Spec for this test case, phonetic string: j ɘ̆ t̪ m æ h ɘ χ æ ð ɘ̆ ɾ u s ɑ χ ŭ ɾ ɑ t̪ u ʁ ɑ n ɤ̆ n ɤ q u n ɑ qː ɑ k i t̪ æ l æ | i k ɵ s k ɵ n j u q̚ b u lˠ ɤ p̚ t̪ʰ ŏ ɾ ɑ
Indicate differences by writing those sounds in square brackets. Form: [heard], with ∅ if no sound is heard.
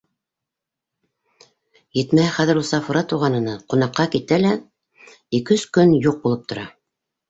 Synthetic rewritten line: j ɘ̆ t̪ m æ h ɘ χ æ ð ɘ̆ ɾ u s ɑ [f] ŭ ɾ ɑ t̪ u ʁ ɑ n ɤ̆ n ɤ q u n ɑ qː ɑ k i t̪ æ l æ | i k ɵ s k ɵ n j u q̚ b u lˠ ɤ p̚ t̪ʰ ŏ ɾ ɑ